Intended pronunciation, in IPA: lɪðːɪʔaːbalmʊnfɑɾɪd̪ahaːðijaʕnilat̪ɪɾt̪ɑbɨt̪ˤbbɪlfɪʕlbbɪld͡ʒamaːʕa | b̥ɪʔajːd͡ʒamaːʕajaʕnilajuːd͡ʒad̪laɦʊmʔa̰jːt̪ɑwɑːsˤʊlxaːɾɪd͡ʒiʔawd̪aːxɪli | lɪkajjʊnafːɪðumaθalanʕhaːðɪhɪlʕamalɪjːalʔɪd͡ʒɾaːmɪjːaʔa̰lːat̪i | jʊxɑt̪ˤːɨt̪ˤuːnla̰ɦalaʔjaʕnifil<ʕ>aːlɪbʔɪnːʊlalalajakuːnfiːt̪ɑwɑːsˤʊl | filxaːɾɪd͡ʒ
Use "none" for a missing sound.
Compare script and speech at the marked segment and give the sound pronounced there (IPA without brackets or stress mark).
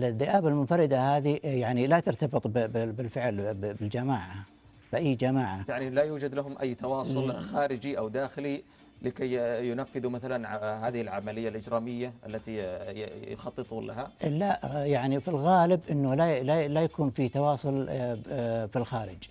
ɣ